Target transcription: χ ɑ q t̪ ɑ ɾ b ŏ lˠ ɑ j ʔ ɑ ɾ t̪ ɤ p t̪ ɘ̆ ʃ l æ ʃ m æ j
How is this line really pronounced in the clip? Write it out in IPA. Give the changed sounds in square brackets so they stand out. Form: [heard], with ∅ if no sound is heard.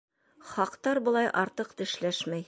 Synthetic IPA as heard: χ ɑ q t̪ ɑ ɾ b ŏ lˠ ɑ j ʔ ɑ ɾ t̪ ɤ [q] t̪ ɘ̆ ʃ l æ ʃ m æ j